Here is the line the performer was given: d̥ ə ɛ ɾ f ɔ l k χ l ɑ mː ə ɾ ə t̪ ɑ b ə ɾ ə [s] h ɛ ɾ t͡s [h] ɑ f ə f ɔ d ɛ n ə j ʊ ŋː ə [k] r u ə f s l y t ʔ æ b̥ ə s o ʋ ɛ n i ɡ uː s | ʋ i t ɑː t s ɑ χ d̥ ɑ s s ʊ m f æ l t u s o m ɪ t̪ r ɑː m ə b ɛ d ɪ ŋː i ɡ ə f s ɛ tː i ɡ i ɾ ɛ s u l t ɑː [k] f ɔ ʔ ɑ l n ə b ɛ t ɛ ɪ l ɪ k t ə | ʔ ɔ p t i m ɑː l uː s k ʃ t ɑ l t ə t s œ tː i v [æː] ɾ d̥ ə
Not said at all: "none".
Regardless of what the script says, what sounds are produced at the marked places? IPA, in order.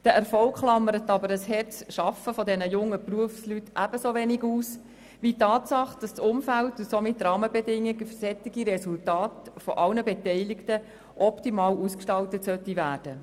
s, ʃ, p, t, æː

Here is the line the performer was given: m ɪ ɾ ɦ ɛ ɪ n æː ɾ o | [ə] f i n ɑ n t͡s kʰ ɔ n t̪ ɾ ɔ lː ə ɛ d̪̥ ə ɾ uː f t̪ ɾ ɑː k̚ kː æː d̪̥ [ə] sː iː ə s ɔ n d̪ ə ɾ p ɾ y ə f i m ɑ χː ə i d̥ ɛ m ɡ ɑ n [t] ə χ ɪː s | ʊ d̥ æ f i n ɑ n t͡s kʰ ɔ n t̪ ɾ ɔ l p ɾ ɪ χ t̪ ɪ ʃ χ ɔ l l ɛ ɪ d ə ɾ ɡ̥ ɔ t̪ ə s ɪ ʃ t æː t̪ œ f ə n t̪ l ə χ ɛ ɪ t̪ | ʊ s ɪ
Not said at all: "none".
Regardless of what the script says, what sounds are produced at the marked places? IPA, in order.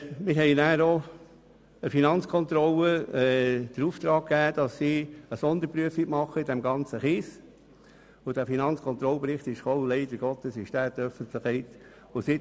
ə, ɑ, t͡s

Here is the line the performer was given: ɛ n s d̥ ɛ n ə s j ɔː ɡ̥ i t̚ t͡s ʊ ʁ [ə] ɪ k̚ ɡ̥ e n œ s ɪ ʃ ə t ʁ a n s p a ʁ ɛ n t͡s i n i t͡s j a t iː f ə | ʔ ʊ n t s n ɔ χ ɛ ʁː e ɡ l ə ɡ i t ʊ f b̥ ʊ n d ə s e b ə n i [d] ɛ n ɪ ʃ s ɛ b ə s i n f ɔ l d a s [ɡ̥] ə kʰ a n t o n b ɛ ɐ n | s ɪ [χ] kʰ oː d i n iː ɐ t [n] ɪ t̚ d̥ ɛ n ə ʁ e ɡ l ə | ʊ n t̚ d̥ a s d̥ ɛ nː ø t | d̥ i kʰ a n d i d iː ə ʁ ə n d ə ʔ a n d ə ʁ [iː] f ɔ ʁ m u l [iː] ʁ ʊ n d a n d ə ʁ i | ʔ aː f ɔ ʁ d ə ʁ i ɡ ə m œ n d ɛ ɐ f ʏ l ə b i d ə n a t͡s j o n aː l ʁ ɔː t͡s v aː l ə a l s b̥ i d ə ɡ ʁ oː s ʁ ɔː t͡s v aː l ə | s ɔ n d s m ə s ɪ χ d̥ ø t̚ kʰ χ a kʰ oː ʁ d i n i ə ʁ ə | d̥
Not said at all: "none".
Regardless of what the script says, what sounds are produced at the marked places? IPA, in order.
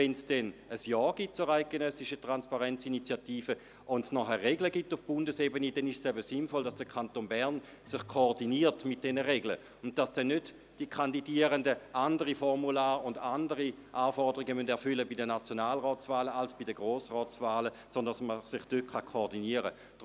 a, d, d̥, χ, m, i, aː

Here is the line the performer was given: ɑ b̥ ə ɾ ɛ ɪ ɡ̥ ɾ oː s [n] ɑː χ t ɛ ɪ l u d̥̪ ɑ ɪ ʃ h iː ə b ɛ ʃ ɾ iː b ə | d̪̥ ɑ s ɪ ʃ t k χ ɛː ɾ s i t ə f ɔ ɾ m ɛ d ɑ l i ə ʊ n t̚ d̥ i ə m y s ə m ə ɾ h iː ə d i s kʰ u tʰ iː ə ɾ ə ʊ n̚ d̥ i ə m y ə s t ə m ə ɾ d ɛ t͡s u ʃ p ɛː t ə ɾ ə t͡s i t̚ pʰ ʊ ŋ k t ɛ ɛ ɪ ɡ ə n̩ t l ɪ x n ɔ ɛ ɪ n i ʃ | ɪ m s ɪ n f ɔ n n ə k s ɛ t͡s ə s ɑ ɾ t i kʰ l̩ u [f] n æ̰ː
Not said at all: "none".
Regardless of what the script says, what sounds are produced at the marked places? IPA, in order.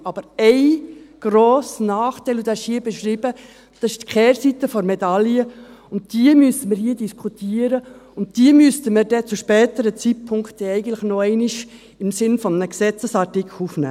n, f

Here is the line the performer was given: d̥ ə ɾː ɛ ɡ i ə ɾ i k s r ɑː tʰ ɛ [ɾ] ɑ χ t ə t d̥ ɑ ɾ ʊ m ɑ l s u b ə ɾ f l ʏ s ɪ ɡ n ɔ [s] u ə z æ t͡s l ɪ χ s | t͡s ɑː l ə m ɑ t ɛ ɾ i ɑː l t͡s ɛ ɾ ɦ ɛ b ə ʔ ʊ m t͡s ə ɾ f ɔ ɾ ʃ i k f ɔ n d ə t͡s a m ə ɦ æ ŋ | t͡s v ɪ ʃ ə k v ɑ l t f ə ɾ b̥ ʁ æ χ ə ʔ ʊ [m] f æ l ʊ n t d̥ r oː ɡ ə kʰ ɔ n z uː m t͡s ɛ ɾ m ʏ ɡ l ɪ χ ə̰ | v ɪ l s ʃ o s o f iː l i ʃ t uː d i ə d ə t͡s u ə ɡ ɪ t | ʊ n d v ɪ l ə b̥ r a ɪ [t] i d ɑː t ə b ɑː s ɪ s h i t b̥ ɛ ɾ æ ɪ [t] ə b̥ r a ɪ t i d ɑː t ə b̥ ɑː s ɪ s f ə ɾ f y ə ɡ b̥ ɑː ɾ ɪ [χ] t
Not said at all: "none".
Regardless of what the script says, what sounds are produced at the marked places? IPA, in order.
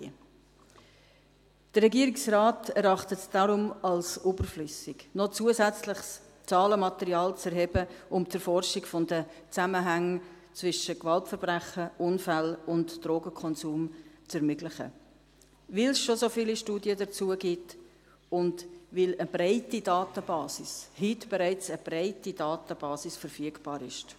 ɾ, t͡s, n, t, t͡s, ʃ

